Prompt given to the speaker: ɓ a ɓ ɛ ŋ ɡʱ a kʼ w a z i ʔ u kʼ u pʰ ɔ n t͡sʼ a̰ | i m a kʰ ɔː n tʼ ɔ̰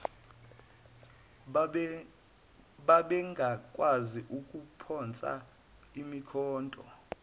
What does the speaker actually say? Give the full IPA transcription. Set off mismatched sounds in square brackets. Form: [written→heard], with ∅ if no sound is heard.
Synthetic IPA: ɓ a ɓ ɛ ŋ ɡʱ a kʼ w a z i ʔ u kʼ u pʰ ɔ n t͡sʼ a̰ | i m [a→i] kʰ ɔː n tʼ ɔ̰